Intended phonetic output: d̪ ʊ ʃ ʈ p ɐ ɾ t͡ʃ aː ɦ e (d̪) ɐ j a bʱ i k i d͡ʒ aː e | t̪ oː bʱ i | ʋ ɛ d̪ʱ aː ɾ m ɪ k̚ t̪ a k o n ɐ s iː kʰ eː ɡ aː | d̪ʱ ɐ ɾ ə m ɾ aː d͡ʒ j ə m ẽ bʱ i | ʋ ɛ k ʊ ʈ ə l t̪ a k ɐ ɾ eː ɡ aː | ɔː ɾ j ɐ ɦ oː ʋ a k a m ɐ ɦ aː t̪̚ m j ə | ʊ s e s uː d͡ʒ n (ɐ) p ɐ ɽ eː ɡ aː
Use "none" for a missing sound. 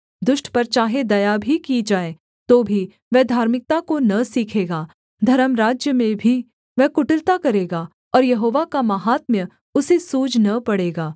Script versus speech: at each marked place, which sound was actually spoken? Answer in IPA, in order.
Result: d̪, ɐ

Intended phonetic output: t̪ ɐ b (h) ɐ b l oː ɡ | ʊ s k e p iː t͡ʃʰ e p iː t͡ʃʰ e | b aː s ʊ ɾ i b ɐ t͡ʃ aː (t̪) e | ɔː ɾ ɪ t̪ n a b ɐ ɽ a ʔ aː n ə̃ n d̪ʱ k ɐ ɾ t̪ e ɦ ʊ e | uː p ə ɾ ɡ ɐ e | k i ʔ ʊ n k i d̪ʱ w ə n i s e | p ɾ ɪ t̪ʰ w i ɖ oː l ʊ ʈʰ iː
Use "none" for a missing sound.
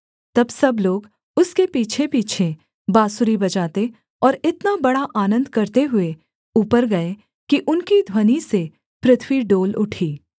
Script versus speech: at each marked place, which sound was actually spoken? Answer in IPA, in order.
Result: s, t̪

